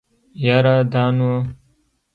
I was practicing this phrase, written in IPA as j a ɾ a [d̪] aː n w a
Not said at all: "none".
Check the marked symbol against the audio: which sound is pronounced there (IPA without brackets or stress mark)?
d̪